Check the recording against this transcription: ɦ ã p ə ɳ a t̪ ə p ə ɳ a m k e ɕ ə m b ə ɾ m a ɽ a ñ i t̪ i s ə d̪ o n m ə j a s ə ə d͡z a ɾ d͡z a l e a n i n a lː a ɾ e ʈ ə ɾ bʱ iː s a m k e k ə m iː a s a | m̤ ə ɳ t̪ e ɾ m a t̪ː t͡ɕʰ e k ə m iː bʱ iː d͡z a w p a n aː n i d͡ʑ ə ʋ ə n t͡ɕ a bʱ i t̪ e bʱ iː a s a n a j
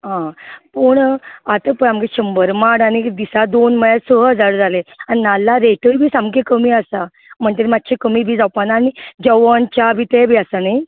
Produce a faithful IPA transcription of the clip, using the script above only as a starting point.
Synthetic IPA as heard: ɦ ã p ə ɳ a t̪ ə p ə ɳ a m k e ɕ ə m b ə ɾ m a ɽ a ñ i d̪ i s a d̪ o n m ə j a s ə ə d͡z a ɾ d͡z a l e a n i n a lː a ɾ e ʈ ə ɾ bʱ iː s a m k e k ə m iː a s a | m̤ ə ɳ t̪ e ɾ m a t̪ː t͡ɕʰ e k ə m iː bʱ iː d͡z a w p a n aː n i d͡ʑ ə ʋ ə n t͡ɕ a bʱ i t̪ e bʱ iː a s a n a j